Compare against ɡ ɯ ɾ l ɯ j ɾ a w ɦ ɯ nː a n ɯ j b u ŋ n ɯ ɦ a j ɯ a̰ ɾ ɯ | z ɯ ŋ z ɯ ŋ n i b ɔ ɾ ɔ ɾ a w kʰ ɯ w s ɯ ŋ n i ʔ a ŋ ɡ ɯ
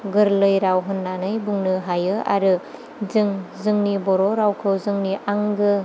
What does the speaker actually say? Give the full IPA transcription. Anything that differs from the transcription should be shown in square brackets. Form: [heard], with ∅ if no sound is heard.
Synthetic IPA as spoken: ɡ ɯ ɾ l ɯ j ɾ a w ɦ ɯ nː a n ɯ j b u ŋ n ɯ ɦ a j ɯ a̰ ɾ ɯ | z ɯ ŋ z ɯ ŋ n i b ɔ ɾ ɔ ɾ a w kʰ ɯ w [z] ɯ ŋ n i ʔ a ŋ ɡ ɯ